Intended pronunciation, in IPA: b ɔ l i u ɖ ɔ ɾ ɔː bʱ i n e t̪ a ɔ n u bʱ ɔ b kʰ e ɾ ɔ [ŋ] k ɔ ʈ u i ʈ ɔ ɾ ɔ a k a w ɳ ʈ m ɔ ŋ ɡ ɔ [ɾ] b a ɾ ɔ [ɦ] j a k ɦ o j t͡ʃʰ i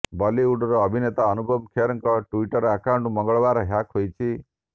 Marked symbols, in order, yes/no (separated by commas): yes, no, yes